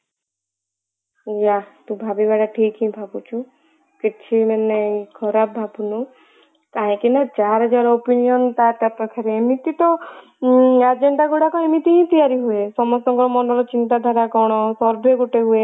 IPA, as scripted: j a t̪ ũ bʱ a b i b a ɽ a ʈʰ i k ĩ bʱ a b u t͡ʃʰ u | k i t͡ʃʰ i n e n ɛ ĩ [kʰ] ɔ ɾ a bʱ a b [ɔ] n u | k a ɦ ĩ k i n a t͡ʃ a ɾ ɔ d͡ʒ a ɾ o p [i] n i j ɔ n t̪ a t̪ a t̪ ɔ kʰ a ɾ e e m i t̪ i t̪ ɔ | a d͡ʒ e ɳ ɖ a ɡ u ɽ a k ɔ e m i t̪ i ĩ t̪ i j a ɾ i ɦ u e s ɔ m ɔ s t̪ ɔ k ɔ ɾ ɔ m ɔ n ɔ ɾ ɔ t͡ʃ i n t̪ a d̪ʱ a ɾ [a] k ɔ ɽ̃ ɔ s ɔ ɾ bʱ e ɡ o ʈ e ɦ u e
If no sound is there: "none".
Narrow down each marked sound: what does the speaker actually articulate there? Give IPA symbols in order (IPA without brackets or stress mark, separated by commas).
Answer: kʰ, u, i, a